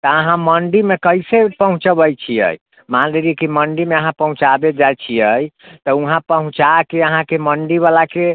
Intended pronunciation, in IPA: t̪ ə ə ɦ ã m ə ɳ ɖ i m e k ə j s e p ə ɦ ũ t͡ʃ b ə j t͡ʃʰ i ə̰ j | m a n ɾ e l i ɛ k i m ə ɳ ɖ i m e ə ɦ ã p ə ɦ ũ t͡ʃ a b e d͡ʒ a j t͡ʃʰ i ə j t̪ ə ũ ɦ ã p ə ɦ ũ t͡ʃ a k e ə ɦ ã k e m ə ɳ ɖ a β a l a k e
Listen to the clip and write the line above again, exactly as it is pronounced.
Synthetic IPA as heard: t̪ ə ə ɦ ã m ə ɳ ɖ i m e k ə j s e p ə ɦ ũ t͡ʃ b ə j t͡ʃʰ i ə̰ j | m a n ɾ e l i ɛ k i m ə ɳ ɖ i m e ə ɦ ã p ə ɦ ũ t͡ʃ a b e d͡ʒ a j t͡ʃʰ i ə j t̪ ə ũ ɦ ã p ə ɦ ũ t͡ʃ a k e ə ɦ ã k e m ə ɳ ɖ i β a l a k e